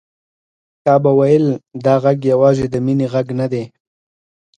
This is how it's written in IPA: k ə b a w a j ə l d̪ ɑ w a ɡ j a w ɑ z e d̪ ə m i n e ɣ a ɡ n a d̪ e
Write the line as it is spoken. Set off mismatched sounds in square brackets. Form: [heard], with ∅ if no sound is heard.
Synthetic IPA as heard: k [ɑ] b a w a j ə l d̪ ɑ [ɣ] a ɡ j a w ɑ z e d̪ ə m i n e ɣ a ɡ n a d̪ e